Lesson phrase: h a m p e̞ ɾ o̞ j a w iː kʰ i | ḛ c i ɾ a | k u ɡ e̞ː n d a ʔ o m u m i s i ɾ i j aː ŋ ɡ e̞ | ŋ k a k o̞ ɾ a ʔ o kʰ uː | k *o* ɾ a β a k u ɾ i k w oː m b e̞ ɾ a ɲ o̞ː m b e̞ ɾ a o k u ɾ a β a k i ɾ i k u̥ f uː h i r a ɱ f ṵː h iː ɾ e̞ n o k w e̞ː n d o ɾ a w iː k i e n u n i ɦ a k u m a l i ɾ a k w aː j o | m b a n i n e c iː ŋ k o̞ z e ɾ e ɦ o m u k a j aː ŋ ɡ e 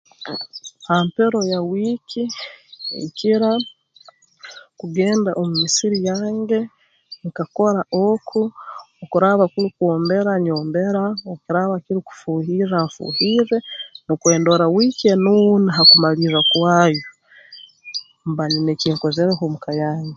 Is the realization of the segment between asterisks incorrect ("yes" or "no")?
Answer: yes